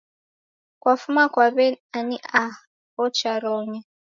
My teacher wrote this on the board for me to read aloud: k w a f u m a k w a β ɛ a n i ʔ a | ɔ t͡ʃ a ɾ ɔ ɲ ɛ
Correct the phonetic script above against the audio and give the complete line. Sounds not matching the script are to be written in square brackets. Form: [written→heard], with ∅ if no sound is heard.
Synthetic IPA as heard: k w a f u m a k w a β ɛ a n i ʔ a | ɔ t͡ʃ a ɾ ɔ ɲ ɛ